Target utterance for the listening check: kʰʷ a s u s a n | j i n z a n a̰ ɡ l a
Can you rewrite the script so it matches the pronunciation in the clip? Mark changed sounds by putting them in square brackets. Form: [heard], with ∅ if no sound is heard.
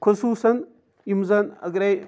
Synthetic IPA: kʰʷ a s u s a n | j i [m] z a n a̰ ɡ [ɾ] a